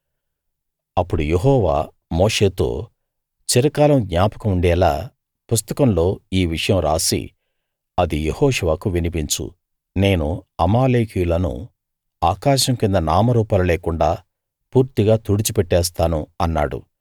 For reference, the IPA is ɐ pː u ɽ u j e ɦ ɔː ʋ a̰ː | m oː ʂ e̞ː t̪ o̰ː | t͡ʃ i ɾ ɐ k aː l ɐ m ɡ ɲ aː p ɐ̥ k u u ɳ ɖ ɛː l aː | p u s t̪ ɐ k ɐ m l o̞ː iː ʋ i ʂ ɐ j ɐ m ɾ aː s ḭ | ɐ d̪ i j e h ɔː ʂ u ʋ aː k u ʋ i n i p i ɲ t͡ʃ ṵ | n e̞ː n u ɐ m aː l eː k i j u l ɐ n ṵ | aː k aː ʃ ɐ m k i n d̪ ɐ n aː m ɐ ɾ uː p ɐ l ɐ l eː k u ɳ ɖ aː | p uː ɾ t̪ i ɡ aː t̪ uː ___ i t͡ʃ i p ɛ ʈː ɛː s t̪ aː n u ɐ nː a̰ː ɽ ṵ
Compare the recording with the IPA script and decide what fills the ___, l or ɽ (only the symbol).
ɽ